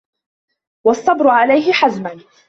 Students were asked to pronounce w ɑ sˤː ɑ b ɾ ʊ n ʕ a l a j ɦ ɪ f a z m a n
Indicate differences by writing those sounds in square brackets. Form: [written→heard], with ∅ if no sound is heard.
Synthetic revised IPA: w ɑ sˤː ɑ b ɾ ʊ [n→∅] ʕ a l a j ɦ ɪ [f→ħ] a z m a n